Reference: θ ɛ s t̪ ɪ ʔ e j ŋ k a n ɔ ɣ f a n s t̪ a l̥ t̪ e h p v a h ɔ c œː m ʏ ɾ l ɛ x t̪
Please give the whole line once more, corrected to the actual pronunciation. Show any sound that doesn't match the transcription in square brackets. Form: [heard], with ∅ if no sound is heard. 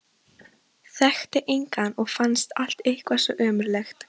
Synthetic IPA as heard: θ ɛ [x] t̪ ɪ ʔ e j ŋ k a n ɔ ɣ f a n s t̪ a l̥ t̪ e h [k] v a [s] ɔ [ʔ] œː m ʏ ɾ l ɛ x t̪